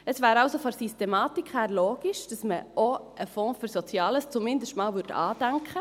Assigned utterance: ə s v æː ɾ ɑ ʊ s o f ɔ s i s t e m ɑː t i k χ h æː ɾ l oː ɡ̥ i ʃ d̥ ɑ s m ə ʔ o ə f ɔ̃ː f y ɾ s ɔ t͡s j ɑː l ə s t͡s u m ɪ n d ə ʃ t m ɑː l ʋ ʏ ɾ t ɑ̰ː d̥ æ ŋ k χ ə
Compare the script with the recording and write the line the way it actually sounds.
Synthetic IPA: ə s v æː ɾ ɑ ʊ s o f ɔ s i s t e m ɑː t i k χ h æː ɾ l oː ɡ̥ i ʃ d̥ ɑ s m ə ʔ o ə f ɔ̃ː f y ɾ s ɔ t͡s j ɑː l ə s t͡s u m ɪ n d ə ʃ t m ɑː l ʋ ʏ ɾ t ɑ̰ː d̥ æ ŋ k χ ə

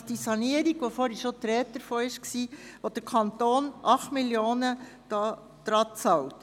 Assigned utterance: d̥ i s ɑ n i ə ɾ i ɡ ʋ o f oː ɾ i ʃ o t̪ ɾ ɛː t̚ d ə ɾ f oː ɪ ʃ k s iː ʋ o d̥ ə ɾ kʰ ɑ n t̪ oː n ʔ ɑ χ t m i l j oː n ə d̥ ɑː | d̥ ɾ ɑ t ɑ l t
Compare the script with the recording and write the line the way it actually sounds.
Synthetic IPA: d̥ i s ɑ n i ə ɾ i ɡ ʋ o f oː ɾ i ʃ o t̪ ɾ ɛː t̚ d ə ɾ f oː ɪ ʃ k s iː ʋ o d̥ ə ɾ kʰ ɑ n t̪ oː n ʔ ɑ χ t m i l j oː n ə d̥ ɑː | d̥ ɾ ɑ t͡s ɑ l t

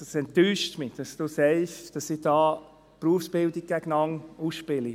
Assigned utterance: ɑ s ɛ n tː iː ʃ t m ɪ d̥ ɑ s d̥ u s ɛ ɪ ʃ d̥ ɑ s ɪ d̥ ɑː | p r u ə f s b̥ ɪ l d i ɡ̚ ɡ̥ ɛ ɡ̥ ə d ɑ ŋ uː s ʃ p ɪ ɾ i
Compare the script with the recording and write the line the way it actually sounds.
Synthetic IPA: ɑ s ɛ n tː yː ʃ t m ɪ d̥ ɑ s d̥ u s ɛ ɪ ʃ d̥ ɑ s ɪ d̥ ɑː | p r u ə f s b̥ ɪ l d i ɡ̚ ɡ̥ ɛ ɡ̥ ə n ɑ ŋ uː s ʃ p ɪ l i

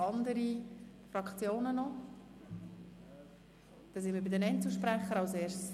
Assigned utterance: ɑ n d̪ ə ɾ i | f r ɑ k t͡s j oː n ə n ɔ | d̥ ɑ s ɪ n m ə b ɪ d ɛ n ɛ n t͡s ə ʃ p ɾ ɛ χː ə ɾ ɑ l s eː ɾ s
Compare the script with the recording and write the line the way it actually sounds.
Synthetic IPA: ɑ n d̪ ə ɾ i | f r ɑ k t͡s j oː n ə n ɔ | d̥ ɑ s ɪ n m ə b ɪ d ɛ n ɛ n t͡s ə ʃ p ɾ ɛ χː ə ɾ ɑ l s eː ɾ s

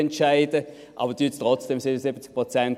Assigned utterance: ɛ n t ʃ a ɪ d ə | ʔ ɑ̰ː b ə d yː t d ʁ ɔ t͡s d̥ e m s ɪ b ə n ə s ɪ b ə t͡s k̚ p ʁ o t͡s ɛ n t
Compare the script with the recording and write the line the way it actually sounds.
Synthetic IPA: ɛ n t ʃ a ɪ d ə | ʔ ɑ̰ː b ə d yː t t ʁ ɔ t͡s d̥ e m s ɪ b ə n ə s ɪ b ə t͡s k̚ p ʁ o t͡s ɛ n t

